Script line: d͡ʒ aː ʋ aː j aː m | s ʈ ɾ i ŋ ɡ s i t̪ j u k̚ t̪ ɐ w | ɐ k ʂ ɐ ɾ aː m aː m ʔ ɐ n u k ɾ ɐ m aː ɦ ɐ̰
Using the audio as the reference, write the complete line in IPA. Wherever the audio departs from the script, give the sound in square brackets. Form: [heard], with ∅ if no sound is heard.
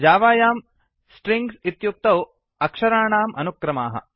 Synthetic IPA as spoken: d͡ʒ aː ʋ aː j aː m | s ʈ ɾ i ŋ ɡ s i t̪ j u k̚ t̪ ɐ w | ɐ k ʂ ɐ ɾ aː [ɳ] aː m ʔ ɐ n u k ɾ ɐ m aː ɦ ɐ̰